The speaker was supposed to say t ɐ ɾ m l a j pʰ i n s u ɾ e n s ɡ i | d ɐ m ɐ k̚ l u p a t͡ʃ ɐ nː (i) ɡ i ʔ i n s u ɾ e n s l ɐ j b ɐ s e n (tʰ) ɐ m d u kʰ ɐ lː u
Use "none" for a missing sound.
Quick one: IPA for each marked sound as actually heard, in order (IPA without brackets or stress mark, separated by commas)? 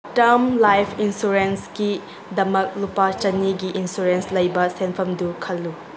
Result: i, pʰ